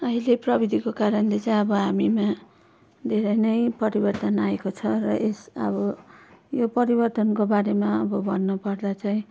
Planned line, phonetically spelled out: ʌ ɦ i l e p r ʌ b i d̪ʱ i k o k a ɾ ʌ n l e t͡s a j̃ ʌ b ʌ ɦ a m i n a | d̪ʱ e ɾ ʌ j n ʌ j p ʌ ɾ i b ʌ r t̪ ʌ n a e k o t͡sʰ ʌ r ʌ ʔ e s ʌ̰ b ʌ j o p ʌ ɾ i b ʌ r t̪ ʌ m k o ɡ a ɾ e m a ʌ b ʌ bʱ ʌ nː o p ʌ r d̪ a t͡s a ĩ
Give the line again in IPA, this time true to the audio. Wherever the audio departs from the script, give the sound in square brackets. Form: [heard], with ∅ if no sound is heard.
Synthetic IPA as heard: ʌ ɦ i l e p r ʌ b i d̪ʱ i k o k a ɾ ʌ n l e t͡s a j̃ ʌ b ʌ ɦ a m i [m] a | d̪ʱ e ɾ ʌ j n ʌ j p ʌ ɾ i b ʌ r t̪ ʌ n a e k o t͡sʰ ʌ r ʌ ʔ e s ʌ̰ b ʌ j o p ʌ ɾ i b ʌ r t̪ ʌ [n] k o [b] a ɾ e m a ʌ b ʌ bʱ ʌ nː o p ʌ r d̪ a t͡s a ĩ